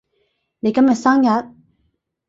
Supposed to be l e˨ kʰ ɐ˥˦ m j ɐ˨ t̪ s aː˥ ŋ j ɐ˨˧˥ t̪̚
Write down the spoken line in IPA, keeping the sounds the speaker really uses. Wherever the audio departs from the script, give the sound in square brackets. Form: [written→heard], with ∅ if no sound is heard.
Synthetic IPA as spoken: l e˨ [kʰ→k] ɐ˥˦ m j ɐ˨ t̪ s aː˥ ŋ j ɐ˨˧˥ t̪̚